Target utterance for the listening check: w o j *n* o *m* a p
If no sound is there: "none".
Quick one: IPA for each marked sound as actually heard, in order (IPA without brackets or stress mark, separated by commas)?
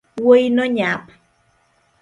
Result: n, ɲ